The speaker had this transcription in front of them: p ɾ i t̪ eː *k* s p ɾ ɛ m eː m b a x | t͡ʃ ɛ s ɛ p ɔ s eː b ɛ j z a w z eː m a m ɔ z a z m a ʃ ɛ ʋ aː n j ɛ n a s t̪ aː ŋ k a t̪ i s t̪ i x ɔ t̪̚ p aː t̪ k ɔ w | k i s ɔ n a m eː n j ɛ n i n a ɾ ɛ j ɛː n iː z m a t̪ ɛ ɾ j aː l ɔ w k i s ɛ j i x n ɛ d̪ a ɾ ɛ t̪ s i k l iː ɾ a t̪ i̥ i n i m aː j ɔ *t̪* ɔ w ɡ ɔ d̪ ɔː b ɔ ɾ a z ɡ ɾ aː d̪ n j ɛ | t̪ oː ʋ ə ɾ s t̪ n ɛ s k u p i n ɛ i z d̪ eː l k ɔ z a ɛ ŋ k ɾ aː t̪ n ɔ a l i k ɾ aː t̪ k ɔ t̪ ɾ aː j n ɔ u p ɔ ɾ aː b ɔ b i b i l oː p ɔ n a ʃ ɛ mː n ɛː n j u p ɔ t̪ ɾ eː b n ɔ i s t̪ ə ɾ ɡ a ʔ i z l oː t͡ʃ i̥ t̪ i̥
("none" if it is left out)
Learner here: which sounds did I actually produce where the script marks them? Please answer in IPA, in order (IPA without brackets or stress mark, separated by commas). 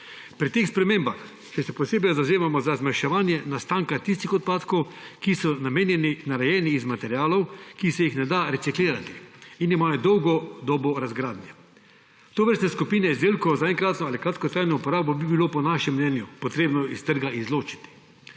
x, d̪